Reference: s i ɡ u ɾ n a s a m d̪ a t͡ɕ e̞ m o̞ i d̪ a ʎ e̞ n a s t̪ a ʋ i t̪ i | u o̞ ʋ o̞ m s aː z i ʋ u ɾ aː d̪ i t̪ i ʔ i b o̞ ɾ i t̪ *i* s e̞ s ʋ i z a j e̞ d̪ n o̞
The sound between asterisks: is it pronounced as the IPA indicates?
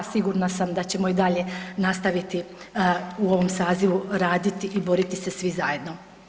yes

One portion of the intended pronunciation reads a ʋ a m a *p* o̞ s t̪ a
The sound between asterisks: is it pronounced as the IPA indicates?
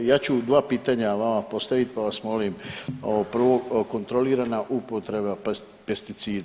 yes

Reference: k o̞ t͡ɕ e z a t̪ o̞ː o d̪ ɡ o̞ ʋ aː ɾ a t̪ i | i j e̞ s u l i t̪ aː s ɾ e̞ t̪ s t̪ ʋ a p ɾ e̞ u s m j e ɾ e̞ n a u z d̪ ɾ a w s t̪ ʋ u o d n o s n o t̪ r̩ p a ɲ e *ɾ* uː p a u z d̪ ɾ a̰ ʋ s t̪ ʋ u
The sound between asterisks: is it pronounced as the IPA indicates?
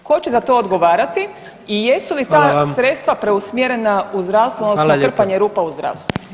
yes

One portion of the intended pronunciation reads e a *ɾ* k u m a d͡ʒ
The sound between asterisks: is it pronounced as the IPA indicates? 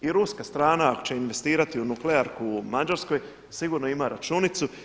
yes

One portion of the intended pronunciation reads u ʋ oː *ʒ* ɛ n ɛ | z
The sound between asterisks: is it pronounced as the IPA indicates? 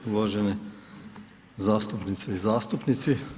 yes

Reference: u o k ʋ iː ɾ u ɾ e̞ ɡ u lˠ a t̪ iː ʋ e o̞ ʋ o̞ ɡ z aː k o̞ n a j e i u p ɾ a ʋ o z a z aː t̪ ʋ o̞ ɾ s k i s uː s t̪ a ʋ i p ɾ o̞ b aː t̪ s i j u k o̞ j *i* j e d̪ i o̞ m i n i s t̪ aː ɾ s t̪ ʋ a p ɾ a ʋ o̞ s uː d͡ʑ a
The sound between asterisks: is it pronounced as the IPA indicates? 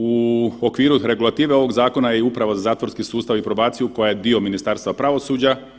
no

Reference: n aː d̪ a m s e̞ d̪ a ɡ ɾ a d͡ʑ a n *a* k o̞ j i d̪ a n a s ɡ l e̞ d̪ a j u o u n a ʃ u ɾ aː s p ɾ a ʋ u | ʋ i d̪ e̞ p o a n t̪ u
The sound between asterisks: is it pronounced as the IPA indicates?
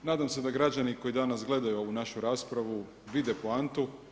no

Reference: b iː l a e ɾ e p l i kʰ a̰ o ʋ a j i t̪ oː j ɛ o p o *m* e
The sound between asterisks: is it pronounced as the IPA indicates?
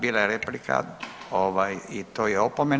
yes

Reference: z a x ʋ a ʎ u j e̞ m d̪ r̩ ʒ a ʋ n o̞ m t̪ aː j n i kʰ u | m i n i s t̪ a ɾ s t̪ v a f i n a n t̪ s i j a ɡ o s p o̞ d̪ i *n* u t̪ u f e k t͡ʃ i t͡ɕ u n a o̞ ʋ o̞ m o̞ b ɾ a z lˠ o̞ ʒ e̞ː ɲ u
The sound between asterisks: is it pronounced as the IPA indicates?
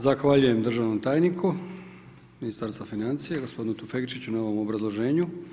yes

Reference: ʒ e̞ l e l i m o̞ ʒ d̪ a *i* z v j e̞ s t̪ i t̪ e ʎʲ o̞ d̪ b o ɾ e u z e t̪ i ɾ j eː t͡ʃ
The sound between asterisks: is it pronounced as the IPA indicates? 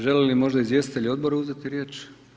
yes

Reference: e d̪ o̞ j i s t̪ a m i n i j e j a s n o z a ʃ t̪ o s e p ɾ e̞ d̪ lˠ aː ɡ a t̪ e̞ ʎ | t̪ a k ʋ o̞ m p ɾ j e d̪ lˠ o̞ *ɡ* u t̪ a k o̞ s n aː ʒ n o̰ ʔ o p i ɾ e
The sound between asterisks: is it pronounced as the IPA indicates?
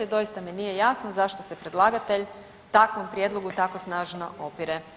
yes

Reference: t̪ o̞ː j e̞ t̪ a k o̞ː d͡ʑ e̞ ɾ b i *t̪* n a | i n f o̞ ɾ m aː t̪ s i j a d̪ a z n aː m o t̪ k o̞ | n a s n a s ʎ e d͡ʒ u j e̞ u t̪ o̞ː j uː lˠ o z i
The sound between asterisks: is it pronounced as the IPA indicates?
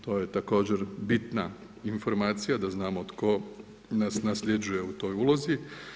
yes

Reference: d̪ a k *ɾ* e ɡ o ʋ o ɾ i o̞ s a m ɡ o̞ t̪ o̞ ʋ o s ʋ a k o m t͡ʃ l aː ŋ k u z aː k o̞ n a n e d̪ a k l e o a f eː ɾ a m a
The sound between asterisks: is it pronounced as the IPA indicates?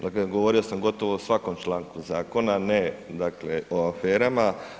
no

